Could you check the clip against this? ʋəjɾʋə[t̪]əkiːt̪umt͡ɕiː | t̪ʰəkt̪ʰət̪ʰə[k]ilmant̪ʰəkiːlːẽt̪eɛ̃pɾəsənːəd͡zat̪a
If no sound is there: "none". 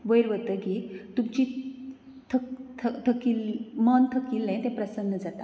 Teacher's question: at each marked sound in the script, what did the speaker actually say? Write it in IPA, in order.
t̪, k

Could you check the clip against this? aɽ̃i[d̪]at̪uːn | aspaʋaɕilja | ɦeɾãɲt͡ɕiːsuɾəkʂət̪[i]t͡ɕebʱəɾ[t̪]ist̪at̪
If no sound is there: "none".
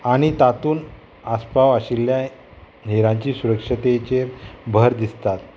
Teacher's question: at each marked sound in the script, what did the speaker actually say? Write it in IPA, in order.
t̪, e, d̪

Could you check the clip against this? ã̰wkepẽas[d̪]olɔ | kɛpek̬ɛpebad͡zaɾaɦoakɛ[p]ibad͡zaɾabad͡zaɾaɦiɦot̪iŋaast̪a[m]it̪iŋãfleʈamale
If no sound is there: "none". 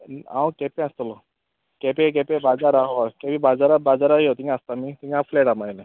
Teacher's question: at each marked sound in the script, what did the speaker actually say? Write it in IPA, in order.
t̪, p, m

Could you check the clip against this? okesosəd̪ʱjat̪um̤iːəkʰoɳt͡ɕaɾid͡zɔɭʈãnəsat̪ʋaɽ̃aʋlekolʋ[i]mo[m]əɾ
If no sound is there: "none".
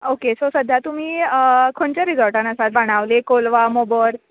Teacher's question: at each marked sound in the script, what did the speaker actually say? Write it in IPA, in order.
a, b

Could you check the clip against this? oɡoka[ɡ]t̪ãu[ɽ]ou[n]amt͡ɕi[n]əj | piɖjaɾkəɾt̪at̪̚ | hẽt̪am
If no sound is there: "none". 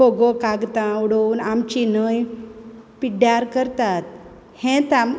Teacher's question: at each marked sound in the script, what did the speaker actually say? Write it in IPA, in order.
ɡ, ɽ, n, n

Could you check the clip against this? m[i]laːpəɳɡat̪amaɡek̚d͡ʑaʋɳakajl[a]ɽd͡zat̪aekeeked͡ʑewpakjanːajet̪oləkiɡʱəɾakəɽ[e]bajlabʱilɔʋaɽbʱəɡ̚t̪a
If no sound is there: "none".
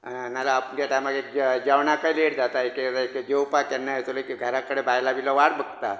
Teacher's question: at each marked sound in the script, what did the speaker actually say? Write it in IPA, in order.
a, e, e

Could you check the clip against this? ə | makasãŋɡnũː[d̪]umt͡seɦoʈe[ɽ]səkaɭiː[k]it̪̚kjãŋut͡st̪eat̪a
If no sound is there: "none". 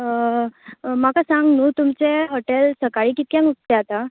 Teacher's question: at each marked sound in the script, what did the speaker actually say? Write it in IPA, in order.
t̪, l, k

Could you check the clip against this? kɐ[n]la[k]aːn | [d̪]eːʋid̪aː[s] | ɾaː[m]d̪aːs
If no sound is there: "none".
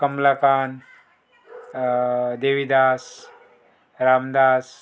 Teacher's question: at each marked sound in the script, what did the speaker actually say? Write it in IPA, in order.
m, k, d̪, s, m

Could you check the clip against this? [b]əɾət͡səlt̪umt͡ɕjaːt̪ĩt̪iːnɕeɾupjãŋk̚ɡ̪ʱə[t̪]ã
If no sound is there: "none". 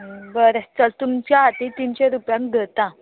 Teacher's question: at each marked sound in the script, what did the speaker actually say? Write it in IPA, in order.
b, t̪

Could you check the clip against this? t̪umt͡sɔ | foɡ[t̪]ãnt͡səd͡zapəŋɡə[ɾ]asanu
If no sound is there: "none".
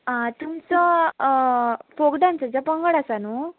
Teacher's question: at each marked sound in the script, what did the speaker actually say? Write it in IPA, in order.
d̪, ɽ

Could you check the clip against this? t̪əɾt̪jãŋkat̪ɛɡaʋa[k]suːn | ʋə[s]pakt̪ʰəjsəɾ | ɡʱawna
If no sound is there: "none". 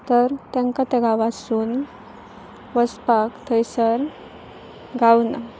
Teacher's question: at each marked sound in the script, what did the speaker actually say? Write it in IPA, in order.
none, s

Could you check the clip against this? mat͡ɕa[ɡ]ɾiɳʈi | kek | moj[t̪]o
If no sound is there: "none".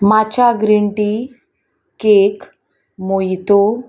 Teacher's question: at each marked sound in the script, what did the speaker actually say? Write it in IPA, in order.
ɡ, t̪

